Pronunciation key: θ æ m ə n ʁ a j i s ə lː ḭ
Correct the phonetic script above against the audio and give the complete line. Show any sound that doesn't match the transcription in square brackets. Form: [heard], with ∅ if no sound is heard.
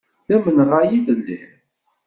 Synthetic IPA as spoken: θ æ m ə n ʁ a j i [θ] ə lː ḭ

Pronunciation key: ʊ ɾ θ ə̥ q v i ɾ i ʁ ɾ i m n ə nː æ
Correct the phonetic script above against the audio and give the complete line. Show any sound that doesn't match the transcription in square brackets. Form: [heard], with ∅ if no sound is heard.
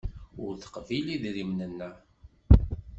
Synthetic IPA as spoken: ʊ ɾ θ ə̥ q v i [l] i [ð] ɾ i m n ə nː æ

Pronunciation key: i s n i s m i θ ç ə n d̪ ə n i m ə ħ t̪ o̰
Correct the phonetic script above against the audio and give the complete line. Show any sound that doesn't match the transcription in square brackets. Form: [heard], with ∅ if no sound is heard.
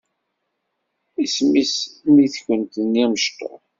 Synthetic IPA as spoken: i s [m] i s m i θ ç ə n [t̪] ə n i m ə [ʃ] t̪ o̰

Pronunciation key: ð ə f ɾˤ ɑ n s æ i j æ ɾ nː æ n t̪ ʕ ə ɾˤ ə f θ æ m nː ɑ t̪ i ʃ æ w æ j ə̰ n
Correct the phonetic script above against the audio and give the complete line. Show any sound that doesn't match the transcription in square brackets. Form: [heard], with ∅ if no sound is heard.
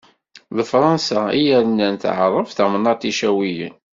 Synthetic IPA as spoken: ð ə f ɾˤ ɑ n s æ i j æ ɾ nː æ n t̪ ʕ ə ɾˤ ə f θ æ m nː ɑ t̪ i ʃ æ w [i] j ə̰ n

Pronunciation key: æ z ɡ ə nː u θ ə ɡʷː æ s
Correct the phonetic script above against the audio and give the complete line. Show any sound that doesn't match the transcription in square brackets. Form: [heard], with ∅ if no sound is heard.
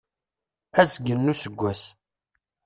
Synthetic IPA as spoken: æ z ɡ ə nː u [s] ə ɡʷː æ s

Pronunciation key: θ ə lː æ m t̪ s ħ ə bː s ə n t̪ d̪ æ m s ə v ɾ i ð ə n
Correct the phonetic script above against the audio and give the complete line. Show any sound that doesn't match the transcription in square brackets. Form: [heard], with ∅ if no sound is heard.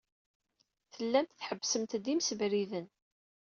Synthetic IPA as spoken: θ ə lː æ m t̪ [θ] ħ ə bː s ə [m] t̪ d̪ [i] m s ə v ɾ i ð ə n

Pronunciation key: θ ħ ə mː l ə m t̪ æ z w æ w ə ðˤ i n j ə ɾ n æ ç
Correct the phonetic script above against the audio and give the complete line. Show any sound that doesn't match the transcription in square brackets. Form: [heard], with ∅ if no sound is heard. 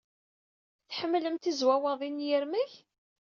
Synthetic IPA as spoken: θ ħ ə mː l ə m t̪ [i] z w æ w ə ðˤ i n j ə ɾ [m] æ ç

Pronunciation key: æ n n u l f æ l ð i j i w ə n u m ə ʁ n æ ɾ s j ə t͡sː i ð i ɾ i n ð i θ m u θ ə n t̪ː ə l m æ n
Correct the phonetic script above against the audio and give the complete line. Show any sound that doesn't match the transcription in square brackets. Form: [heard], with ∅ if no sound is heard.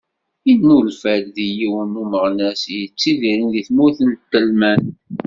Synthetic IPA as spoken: [i] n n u l f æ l ð i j i w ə n u m ə ʁ n æ [∅] s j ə t͡sː i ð i ɾ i n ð i θ m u θ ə n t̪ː ə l m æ n

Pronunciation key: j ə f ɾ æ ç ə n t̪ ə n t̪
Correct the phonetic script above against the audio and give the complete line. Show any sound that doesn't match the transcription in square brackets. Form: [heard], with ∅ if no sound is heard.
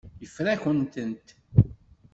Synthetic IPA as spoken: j ə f ɾ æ ç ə n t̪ ə n t̪

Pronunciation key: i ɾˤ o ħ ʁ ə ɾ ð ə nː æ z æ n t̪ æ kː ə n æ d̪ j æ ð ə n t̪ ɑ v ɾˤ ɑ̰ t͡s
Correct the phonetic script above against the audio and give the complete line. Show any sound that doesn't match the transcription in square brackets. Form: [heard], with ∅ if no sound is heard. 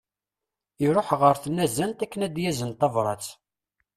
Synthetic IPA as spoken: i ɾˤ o ħ ʁ ə ɾ [θ] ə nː æ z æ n t̪ æ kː ə n æ d̪ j æ [z] ə n t̪ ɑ v ɾˤ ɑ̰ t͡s

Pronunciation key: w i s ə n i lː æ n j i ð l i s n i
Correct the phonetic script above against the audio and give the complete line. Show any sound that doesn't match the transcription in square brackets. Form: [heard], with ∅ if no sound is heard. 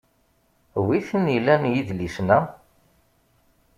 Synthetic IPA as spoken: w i [θ] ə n i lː æ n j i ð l i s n [æ]

